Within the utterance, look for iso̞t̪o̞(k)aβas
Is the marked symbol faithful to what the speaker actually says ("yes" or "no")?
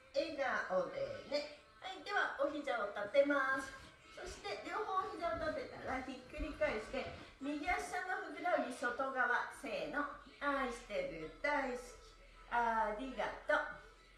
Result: no